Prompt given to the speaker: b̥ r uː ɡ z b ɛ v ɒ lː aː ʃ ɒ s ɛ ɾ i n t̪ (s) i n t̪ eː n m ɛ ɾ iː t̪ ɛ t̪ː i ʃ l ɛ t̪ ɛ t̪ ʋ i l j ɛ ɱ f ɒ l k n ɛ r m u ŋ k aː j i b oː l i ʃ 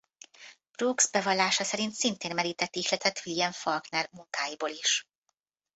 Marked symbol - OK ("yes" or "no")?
yes